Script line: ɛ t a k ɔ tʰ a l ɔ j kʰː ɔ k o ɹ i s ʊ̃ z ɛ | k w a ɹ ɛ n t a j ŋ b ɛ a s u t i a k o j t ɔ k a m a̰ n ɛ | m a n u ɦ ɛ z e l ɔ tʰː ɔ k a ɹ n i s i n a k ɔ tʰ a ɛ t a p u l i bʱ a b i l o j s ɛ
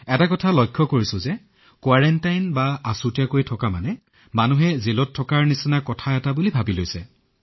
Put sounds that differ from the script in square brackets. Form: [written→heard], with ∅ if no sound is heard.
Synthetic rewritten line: ɛ t a k ɔ tʰ a l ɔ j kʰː ɔ k o ɹ i s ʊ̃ z ɛ | k w a ɹ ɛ n t a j [ŋ→n] b [ɛ→a] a s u t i a k o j [t→tʰ] ɔ k a m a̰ n ɛ | m a n u ɦ ɛ z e l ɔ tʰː ɔ k a ɹ n i s i n a k ɔ tʰ a ɛ t a [p→b] u l i bʱ a b i l o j s ɛ